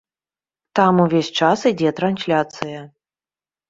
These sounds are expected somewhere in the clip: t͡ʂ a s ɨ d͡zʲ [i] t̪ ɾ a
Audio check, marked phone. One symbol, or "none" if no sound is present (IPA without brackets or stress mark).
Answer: ɛ